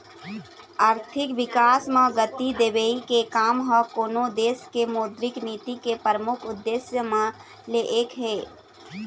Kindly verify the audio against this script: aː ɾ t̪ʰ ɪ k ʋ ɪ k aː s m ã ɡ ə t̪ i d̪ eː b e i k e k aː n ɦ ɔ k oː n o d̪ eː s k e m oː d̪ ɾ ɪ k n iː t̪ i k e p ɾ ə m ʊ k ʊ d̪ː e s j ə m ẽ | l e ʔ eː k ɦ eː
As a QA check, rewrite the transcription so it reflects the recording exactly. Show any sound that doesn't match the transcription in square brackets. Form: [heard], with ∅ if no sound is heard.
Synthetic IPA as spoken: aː ɾ t̪ʰ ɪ k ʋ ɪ k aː s m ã ɡ ə t̪ i d̪ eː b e i k e k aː [m] ɦ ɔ k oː n o d̪ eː s k e m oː d̪ ɾ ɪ k n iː t̪ i k e p ɾ ə m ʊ [kʰ] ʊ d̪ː e s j ə m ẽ | l e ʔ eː k ɦ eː